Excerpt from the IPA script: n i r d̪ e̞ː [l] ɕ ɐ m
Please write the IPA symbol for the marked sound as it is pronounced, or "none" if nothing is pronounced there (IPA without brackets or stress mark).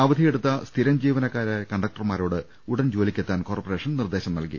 none